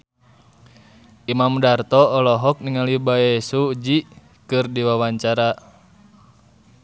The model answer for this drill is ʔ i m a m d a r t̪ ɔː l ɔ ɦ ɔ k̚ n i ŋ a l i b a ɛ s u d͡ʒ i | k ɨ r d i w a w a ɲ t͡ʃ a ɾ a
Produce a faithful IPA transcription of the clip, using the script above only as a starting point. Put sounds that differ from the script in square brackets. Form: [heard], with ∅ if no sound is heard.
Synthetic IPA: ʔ i m a m d a r t̪ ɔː l ɔ ɦ ɔ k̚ n i ŋ a l i b a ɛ s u d͡ʒ i | k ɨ r d i w a w a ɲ t͡ʃ a ɾ a